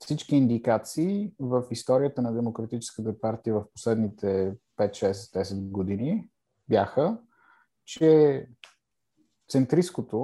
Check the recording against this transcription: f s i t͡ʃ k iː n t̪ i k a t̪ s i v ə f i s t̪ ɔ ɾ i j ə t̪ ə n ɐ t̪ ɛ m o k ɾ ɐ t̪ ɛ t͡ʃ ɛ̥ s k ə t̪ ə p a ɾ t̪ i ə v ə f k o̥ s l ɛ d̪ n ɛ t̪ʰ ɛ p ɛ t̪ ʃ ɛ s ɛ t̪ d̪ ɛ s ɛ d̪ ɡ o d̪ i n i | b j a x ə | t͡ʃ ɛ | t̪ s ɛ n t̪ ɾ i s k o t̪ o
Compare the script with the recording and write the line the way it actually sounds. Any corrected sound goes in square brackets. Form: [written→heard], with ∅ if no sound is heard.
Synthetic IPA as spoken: f s i t͡ʃ k iː n [t̪→d̪] i k a t̪ s [i→iː] v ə f i s t̪ ɔ ɾ i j ə t̪ ə n ɐ [t̪→d̪] ɛ m o k ɾ ɐ t̪ [ɛ→i] t͡ʃ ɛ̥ s k ə t̪ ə p a ɾ t̪ i ə v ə f [k→p] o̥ s l ɛ d̪ n [ɛ→i] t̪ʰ ɛ p ɛ t̪ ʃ ɛ s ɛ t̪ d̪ ɛ s ɛ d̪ ɡ o d̪ i n i | b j a x ə | t͡ʃ ɛ | t̪ s ɛ n t̪ ɾ i s k o t̪ o